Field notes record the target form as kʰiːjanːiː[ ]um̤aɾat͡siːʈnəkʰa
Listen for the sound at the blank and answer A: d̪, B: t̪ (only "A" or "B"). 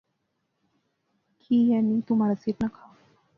B